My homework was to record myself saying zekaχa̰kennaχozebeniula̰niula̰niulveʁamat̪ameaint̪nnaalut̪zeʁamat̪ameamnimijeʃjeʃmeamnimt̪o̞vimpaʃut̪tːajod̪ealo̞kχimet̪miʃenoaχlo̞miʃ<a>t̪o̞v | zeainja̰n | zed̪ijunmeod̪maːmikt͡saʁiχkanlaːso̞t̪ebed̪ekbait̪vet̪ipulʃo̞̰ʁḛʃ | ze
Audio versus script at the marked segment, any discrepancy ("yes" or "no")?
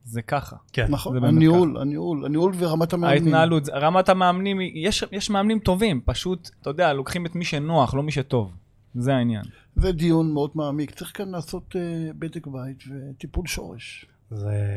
yes